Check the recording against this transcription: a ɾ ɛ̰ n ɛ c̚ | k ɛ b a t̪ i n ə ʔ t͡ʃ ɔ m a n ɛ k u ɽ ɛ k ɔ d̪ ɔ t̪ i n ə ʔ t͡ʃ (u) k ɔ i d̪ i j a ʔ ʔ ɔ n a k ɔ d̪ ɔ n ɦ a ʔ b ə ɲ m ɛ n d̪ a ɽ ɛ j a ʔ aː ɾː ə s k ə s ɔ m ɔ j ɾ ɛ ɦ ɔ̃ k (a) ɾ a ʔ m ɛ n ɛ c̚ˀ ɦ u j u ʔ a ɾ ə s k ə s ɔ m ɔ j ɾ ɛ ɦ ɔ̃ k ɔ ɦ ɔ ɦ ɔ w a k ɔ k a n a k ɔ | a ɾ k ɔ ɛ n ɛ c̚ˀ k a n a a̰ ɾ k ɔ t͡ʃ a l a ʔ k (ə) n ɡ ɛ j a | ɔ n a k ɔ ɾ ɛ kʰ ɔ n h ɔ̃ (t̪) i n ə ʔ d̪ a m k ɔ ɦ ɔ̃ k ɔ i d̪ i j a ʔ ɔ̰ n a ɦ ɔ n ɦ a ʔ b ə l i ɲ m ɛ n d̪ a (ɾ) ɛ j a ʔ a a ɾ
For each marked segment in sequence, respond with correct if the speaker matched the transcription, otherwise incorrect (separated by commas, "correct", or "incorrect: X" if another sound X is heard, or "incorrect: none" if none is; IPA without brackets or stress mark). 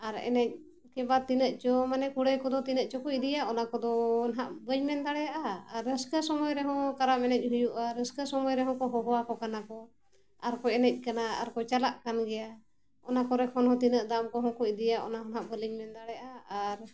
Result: incorrect: ɔ, correct, incorrect: a, correct, incorrect: ɽ